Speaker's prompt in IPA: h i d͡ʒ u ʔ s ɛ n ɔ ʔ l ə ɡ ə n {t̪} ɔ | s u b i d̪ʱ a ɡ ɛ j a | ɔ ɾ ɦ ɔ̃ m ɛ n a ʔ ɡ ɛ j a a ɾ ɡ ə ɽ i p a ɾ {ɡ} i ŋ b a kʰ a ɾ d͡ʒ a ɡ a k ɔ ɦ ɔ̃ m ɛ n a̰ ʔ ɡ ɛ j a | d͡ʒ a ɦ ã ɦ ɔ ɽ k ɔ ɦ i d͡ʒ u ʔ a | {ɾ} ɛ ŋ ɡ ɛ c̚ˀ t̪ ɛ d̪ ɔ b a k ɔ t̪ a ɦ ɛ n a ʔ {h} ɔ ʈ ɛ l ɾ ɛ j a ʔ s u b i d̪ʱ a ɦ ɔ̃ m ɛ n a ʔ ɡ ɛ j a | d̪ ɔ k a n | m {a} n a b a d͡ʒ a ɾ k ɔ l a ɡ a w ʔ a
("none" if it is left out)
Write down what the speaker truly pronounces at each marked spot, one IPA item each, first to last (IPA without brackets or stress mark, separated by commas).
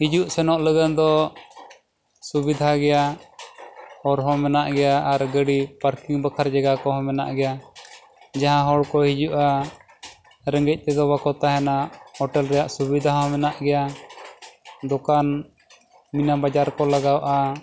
d̪, k, ɾ, h, i